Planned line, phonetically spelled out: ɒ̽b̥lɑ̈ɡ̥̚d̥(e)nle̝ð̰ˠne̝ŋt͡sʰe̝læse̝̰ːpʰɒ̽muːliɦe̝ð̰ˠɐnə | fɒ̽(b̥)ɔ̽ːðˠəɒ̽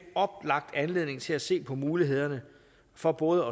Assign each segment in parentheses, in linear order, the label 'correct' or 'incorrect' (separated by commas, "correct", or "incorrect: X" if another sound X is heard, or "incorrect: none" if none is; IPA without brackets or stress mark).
incorrect: æ, correct